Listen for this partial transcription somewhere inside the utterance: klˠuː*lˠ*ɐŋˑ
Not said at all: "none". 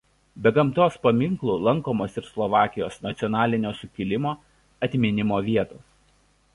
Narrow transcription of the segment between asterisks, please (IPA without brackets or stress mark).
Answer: lˠ